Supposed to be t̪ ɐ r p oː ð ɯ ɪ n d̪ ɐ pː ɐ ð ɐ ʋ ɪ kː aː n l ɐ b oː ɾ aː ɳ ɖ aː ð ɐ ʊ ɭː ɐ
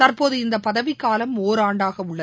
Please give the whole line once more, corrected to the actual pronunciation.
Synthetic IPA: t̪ ɐ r p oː ð ɯ ɪ n d̪ ɐ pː ɐ ð ɐ ʋ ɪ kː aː l ɐ m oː ɾ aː ɳ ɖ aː ɣ ɐ ʊ ɭː ɐ